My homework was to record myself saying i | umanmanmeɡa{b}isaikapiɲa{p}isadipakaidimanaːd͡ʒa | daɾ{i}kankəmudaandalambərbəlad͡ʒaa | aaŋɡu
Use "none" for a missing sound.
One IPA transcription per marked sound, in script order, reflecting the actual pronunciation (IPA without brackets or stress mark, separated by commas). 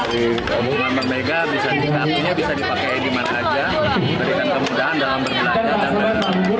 b, b, i